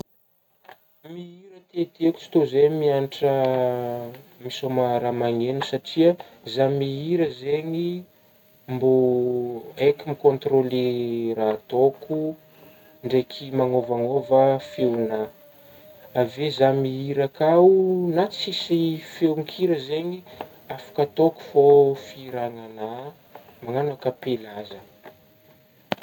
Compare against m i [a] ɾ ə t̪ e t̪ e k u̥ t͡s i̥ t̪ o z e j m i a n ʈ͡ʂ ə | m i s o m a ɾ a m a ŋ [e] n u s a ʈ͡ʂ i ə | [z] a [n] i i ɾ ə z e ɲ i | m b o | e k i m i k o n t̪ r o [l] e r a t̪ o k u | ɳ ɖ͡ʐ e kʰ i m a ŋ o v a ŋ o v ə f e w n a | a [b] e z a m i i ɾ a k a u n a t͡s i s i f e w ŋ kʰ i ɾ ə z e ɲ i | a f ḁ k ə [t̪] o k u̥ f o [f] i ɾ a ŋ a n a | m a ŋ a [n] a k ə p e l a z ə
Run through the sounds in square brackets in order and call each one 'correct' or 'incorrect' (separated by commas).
incorrect, correct, correct, incorrect, correct, incorrect, correct, correct, correct